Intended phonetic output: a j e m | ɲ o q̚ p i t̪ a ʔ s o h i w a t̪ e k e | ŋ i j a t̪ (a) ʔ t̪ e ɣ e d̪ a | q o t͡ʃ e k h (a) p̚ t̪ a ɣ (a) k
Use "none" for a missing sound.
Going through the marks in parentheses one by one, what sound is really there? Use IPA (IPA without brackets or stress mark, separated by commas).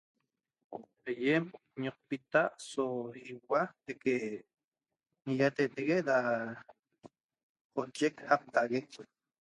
e, a, e